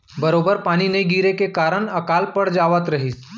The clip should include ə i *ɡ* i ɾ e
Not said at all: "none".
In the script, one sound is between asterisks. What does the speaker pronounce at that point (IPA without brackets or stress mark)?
ɡ